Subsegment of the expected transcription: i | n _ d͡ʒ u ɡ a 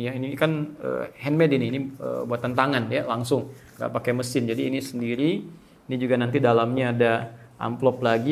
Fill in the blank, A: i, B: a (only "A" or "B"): A